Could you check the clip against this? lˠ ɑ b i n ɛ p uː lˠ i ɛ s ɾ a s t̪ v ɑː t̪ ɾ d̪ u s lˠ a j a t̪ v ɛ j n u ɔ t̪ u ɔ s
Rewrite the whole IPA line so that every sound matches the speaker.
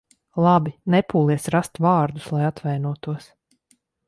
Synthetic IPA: lˠ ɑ b i n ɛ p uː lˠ i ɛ s ɾ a s t̪ v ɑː ɾ d̪ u s lˠ a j a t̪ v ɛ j n u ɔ t̪ u ɔ s

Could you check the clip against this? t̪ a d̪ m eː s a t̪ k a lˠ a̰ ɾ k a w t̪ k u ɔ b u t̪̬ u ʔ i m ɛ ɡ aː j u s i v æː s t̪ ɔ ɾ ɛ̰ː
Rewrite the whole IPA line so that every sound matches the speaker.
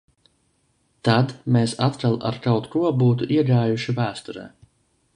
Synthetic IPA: t̪ a d̪ m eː s a t̪ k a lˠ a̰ ɾ k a w t̪ k u ɔ b uː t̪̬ u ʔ i ɛ ɡ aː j u ʃ i v æː s t̪ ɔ ɾ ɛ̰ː

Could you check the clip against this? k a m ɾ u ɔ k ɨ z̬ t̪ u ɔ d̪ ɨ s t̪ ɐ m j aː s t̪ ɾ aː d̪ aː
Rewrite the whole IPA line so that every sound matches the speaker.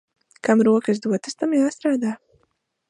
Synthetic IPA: k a m ɾ u ɔ k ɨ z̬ d̪ u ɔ t̪ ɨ s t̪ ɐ m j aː s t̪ ɾ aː d̪ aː

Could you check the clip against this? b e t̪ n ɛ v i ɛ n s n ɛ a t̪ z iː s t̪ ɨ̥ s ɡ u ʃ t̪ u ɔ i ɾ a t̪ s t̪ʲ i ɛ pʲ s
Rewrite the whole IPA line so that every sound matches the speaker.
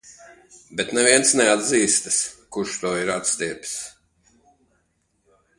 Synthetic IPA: b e t̪ n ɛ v i ɛ n s n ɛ a d̪ z iː s t̪ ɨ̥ s k u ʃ t̪ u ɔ i ɾ a t̪ s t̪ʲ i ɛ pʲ s

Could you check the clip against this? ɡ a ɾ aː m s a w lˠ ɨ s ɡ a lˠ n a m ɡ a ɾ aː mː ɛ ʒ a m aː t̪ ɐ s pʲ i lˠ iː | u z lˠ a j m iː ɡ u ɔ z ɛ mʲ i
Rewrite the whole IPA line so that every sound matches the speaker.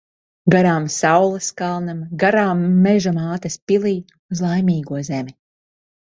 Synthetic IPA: ɡ a ɾ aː m s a w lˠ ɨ s k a lˠ n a m ɡ a ɾ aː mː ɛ ʒ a m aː t̪ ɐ s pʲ i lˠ iː | u z lˠ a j m iː ɡ u ɔ z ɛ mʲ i

